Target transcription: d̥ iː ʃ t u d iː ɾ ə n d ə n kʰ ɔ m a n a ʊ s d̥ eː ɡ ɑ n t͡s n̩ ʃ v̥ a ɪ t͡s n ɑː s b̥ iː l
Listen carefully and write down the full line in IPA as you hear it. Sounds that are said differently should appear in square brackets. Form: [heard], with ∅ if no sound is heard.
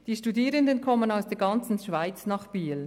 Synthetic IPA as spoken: d̥ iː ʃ t u d iː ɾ ə n d ə n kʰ ɔ m [ə] n a ʊ s d̥ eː ɡ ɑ n t͡s n̩ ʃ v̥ a ɪ t͡s n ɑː [χ] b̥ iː l